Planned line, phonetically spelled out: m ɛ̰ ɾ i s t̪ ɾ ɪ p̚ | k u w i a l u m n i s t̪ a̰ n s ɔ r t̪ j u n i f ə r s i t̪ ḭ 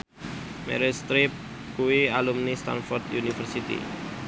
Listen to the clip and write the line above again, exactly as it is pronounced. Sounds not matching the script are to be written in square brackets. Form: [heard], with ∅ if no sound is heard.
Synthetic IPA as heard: m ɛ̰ ɾ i s t̪ ɾ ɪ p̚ | k u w i a l u m n i s t̪ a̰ n [f] ɔ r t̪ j u n i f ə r s i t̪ ḭ